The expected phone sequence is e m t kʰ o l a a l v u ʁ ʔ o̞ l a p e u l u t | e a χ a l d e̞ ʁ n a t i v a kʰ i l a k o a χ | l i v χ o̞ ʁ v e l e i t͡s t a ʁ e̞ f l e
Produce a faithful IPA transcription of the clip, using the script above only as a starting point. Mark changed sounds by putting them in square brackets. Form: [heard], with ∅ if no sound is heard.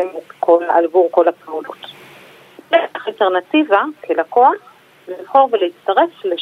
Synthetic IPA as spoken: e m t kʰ o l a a l v u ʁ [k] o̞ l a p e u l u t | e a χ a l [t] e̞ ʁ n a t i v a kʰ [e] l a k o a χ | l i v χ o̞ ʁ v e l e i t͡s t a ʁ e̞ f l e